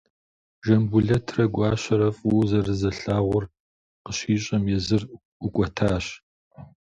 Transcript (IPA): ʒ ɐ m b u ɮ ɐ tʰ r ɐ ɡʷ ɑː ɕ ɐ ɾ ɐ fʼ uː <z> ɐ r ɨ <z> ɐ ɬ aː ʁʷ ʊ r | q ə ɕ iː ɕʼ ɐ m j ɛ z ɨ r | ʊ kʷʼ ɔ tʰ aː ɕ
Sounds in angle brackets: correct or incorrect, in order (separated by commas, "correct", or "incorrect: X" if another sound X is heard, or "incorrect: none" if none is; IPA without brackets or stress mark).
correct, correct